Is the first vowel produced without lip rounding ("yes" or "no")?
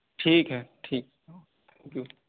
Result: yes